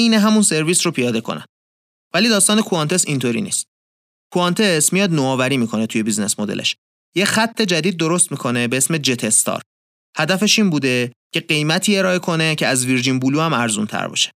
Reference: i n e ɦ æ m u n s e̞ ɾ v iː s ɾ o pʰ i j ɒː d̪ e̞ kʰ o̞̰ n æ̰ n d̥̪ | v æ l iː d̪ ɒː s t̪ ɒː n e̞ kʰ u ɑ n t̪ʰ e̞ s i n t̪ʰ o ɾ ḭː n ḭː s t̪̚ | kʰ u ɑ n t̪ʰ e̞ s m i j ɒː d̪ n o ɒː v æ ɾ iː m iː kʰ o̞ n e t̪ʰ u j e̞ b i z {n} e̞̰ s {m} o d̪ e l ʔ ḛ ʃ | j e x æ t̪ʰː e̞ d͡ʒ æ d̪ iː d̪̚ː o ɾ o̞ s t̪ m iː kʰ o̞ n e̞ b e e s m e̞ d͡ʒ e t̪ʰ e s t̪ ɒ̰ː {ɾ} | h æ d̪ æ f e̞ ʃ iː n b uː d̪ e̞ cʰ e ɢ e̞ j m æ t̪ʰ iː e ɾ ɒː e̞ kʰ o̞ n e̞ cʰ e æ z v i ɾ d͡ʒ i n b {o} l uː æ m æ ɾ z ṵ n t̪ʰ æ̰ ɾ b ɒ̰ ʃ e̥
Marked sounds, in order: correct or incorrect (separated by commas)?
correct, correct, correct, incorrect